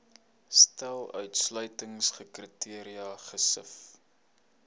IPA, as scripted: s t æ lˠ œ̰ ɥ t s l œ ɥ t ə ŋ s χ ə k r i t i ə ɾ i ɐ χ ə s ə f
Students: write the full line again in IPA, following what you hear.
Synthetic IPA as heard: s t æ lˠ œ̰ ɥ t s l œ ɥ t ə ŋ s χ ə k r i t i ə ɾ i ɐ χ ə s ə f